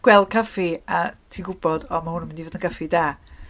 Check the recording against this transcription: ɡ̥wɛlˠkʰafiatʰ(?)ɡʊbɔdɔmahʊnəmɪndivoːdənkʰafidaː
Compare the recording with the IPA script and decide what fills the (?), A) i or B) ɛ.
A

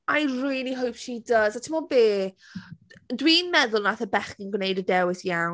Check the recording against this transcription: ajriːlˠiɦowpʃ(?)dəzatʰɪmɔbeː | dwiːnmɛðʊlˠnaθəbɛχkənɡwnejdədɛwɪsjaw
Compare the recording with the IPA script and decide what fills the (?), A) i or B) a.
A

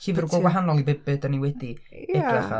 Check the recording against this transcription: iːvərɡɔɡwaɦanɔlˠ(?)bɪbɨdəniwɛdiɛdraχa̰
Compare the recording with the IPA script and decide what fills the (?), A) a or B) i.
B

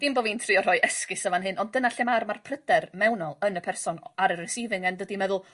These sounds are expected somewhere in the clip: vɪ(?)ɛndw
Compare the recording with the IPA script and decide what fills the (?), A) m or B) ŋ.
B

